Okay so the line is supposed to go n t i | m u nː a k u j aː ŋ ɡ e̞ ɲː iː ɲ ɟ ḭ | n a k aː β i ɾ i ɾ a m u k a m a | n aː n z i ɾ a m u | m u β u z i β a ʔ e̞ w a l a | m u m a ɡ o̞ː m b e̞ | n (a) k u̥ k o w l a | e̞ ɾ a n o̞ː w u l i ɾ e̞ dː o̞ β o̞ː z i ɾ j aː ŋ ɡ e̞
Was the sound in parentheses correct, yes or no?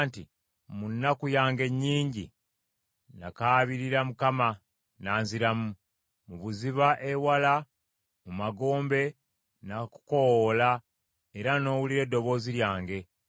yes